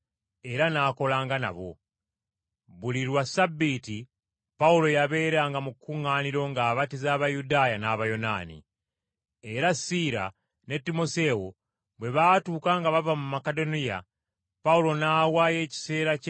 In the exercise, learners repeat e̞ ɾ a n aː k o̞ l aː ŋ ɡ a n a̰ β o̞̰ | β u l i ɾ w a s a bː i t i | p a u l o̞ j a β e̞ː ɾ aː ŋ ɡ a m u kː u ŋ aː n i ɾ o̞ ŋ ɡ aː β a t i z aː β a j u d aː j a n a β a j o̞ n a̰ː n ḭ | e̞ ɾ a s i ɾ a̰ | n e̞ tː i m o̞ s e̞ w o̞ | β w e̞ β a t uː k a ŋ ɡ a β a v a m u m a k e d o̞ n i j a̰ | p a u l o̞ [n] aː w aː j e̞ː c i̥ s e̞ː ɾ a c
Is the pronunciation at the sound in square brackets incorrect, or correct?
correct